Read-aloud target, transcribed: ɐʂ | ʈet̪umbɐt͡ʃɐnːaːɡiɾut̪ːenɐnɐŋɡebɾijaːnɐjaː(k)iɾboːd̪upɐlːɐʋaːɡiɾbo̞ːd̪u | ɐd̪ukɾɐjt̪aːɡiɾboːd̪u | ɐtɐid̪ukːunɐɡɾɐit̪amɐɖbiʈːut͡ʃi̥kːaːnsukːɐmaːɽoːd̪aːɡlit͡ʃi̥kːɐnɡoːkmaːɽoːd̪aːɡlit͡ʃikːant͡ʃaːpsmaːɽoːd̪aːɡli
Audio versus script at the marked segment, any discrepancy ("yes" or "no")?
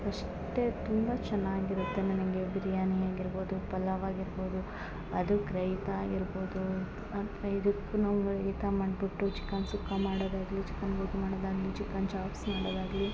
yes